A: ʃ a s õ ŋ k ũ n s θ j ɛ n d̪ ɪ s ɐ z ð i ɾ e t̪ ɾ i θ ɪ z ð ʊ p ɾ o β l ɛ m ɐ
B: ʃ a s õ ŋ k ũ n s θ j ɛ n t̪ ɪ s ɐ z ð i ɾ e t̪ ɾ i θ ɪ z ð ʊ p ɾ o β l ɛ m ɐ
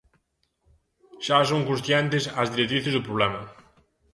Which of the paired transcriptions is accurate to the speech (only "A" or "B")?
B